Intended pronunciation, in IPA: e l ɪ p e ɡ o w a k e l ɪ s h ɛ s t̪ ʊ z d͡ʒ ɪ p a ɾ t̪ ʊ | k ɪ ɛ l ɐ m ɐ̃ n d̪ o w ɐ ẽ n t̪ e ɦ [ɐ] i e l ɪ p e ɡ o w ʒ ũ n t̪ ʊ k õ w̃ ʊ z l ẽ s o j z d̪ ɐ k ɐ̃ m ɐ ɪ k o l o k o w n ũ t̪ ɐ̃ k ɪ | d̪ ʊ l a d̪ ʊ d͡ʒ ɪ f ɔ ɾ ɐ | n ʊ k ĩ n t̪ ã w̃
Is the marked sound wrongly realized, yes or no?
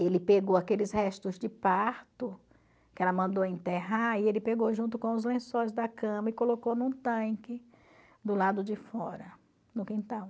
yes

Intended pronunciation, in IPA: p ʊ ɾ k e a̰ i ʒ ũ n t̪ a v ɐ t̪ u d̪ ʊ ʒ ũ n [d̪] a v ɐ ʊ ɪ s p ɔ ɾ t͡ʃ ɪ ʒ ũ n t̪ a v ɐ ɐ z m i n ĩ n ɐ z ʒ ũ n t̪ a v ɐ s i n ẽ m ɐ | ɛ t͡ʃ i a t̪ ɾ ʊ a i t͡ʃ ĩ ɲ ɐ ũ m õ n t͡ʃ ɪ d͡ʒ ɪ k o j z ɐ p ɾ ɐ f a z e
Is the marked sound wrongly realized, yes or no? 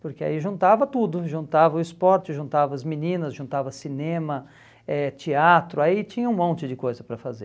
yes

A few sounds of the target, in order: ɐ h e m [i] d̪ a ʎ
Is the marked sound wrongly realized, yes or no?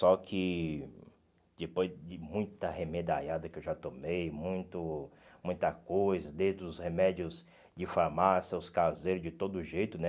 yes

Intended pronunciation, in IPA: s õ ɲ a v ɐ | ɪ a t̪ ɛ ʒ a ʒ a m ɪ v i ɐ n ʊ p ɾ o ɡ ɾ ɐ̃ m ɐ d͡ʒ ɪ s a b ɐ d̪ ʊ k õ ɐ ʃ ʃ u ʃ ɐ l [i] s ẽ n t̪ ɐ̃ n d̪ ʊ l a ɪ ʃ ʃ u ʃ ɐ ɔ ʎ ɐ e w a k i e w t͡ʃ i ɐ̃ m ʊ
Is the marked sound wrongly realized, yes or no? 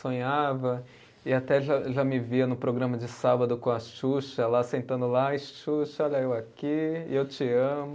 yes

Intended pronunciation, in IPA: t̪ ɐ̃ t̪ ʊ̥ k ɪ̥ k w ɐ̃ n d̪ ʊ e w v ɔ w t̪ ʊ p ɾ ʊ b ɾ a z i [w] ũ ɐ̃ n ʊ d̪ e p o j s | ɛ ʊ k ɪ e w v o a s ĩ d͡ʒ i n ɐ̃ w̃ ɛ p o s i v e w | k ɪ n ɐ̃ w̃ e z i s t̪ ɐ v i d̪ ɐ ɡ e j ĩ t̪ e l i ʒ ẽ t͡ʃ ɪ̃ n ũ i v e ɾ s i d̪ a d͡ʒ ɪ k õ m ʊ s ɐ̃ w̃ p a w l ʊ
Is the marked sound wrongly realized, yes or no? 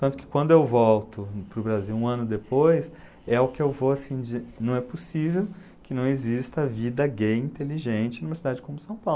no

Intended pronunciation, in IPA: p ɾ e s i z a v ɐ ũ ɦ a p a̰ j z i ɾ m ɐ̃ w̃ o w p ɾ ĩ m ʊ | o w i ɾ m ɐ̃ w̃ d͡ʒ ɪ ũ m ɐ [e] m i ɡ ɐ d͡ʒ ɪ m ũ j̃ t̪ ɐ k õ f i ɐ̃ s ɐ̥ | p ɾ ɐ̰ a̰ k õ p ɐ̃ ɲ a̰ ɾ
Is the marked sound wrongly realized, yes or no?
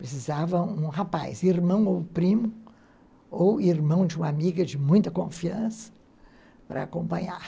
yes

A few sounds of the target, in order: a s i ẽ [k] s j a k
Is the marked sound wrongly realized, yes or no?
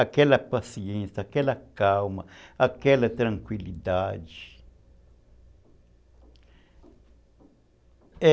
yes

